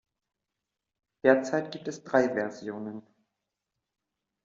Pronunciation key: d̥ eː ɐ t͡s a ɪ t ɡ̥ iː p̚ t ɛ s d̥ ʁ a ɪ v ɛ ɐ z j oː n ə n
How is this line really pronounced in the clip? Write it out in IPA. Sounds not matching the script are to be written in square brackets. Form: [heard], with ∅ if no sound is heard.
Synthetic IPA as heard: d̥ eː ɐ t͡s a ɪ t ɡ̥ iː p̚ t ɛ s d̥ ʁ a ɪ v ɛ ɐ z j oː n ə n